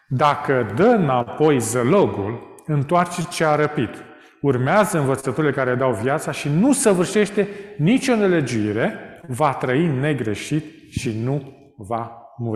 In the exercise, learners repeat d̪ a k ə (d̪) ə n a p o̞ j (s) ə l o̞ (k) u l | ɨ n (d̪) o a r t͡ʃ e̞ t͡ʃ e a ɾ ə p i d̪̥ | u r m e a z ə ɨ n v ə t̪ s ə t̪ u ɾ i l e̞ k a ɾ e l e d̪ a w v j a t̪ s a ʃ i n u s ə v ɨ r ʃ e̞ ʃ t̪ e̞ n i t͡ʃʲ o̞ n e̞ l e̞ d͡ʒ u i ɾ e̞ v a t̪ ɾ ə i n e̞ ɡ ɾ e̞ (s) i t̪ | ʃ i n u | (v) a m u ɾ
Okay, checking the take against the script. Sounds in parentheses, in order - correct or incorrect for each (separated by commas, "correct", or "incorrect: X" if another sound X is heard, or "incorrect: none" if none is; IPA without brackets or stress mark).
correct, incorrect: z, incorrect: ɡ, incorrect: t̪, incorrect: ʃ, correct